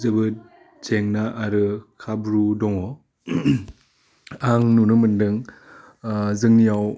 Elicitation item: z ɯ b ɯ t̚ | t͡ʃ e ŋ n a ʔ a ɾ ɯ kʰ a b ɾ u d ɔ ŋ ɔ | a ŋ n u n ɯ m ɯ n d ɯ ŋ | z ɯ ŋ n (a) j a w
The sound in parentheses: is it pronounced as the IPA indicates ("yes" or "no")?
no